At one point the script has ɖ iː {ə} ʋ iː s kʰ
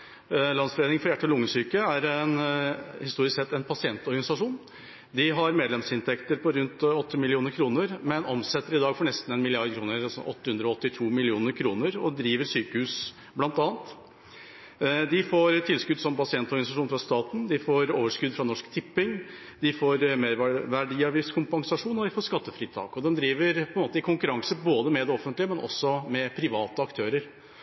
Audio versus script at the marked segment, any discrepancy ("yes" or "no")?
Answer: yes